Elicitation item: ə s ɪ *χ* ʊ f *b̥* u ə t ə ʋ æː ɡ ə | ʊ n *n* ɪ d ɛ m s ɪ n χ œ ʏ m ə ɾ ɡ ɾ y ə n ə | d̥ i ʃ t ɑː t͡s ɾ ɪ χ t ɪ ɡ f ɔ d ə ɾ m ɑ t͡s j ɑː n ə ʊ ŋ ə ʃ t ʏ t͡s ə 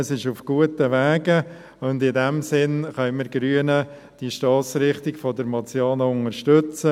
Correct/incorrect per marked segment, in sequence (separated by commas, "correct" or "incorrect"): incorrect, incorrect, incorrect